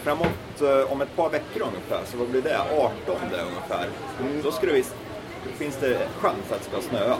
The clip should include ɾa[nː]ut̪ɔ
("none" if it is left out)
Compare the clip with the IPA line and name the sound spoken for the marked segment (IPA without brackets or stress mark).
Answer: mː